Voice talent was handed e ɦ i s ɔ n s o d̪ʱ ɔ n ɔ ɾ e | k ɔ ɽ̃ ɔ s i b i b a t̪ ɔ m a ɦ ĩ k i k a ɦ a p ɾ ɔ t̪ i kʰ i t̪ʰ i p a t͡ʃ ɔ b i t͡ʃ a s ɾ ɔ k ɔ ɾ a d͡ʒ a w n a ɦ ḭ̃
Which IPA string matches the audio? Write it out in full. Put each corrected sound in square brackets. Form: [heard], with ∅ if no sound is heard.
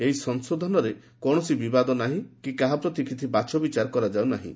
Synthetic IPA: e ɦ i s ɔ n s o d̪ʱ ɔ n ɔ ɾ e | k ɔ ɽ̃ ɔ s i b i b a [d̪] ɔ [n] a ɦ ĩ k i k a ɦ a p ɾ ɔ t̪ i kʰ i t̪ʰ i [b] a t͡ʃ ɔ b i t͡ʃ a [∅] ɾ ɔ k ɔ ɾ a d͡ʒ a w n a ɦ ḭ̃